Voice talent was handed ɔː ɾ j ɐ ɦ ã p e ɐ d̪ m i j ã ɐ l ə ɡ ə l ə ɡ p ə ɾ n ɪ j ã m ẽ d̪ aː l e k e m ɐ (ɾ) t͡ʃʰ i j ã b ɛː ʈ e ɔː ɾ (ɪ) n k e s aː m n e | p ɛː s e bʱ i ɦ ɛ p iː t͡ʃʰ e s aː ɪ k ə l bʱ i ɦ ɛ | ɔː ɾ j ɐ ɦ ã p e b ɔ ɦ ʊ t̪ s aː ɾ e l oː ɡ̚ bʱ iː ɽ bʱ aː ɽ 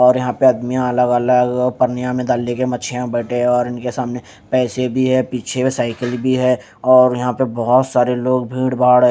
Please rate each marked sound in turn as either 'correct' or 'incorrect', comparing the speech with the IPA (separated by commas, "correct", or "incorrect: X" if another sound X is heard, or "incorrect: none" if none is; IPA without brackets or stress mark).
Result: incorrect: none, correct